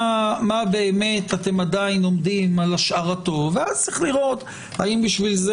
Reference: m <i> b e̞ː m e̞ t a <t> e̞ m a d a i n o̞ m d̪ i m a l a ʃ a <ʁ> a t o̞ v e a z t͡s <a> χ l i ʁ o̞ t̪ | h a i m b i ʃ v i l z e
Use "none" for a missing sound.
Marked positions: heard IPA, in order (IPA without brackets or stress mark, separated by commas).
a, t, ʁ, i